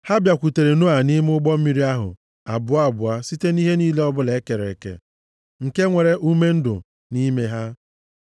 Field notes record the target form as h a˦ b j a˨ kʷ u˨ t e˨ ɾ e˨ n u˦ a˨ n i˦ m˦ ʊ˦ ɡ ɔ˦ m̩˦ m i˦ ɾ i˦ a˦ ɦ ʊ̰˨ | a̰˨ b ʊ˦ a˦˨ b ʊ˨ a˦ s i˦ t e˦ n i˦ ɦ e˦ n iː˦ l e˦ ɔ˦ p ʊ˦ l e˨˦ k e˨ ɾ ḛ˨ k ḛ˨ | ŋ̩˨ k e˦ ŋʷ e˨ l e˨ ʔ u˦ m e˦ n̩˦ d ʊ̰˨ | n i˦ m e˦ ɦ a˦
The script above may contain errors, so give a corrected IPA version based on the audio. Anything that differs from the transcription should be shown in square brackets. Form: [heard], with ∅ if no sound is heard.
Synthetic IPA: h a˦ b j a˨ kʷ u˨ t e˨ ɾ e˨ n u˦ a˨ n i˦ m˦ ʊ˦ [ɡ͡b] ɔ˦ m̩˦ m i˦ ɾ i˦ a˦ ɦ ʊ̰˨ | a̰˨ b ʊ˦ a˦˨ b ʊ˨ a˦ s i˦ t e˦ n i˦ ɦ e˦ n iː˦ l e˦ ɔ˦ [b] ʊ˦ l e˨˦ k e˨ ɾ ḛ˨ k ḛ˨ | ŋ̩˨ k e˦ ŋʷ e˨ [ɾ] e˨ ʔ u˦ m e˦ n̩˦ d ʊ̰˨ | n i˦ m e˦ ɦ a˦